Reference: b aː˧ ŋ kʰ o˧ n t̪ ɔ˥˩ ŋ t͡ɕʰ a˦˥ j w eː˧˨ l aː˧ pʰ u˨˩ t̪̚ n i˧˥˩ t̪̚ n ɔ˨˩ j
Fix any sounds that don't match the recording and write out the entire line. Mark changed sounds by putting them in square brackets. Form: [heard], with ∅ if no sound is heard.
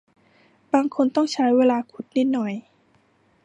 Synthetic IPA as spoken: b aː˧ ŋ kʰ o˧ n t̪ ɔ˥˩ ŋ t͡ɕʰ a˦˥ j w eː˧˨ l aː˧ [kʰ] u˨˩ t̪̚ n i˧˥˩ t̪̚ n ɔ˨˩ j